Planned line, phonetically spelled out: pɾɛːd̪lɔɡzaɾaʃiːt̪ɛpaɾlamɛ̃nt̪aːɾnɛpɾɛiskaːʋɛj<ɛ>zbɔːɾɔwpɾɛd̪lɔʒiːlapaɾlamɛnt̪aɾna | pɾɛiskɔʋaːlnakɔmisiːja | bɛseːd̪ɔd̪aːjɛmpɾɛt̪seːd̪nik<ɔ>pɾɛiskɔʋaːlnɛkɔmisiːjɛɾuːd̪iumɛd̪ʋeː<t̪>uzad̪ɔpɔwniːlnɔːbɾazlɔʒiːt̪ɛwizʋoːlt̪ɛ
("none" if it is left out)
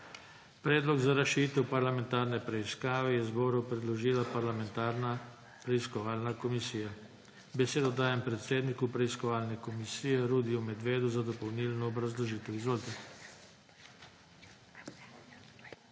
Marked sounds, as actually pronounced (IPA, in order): ɛ, u, d̪

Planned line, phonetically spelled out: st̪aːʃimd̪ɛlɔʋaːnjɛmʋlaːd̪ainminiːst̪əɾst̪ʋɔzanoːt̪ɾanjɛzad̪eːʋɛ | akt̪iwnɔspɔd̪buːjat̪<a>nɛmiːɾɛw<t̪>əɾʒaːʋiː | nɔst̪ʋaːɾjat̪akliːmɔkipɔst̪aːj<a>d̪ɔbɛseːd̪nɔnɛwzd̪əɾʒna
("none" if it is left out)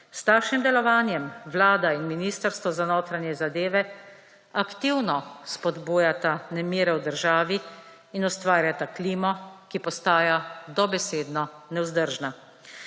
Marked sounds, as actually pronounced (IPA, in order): a, d̪, a

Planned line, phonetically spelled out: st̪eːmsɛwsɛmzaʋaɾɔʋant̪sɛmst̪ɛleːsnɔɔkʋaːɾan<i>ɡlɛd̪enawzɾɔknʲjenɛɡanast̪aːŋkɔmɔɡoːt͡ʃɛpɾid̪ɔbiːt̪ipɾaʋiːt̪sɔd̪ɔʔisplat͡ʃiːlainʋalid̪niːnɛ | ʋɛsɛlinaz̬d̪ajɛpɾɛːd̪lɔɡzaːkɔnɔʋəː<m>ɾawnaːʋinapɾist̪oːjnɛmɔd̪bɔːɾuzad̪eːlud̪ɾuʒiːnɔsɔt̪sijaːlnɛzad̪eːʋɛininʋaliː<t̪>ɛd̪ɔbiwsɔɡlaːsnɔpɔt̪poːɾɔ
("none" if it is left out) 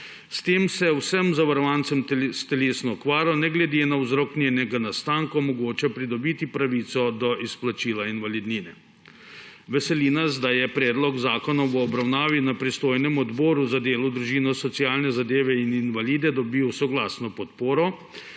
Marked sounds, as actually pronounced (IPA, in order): ɛ, b, d̪

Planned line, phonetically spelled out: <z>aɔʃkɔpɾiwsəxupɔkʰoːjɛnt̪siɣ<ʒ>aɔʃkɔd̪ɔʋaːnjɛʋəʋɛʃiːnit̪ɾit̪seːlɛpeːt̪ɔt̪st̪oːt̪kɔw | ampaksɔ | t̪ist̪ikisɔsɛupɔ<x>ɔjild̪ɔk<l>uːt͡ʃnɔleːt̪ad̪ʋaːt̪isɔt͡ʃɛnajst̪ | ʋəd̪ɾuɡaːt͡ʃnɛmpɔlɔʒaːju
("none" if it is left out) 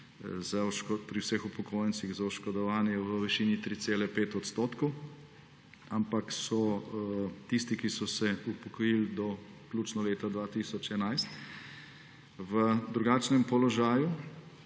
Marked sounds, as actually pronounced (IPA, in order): z, z, k, l

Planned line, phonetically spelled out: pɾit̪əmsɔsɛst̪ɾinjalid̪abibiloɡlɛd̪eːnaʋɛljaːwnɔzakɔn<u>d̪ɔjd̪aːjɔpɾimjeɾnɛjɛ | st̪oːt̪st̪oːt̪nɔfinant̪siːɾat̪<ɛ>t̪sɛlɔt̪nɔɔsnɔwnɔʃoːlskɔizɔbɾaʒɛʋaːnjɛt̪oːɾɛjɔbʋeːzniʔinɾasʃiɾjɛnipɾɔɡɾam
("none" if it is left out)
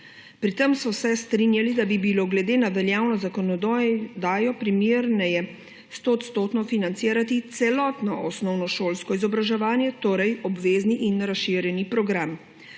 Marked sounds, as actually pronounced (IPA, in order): ɔ, i

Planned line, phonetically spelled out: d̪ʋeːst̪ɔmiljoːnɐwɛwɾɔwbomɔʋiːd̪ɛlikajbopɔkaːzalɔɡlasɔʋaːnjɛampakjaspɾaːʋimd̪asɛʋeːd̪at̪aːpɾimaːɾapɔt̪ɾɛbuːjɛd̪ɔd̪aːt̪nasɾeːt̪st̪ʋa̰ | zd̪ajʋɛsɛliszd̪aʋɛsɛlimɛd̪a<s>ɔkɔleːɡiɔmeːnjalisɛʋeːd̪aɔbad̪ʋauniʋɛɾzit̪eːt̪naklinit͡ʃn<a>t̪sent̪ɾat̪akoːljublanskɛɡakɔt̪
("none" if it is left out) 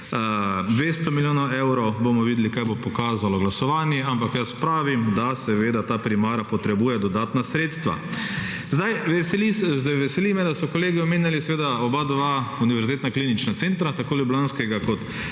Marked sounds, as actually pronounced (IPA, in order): s, a

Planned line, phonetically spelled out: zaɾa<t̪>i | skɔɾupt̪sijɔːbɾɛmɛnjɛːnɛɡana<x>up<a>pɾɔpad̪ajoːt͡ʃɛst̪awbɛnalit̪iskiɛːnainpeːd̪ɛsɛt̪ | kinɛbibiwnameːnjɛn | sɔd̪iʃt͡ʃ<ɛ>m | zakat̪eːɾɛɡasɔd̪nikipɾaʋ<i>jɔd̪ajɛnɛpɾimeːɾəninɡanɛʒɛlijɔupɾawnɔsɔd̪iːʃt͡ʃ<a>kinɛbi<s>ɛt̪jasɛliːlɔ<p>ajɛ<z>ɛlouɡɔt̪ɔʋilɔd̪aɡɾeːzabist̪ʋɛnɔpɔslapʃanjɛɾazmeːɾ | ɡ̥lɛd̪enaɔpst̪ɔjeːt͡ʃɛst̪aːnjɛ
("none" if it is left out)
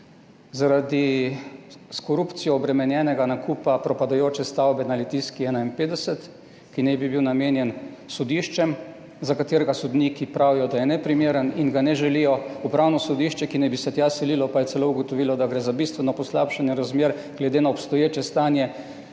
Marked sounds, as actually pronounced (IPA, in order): d̪, k, a, ɛ, i, ɛ, s, p, s

